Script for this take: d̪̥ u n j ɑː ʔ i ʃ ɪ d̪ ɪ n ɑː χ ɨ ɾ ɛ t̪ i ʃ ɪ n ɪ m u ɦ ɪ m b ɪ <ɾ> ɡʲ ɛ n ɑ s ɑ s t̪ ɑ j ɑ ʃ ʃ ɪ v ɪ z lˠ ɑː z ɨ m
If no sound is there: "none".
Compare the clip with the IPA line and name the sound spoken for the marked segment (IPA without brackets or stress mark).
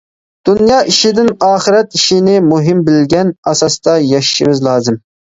l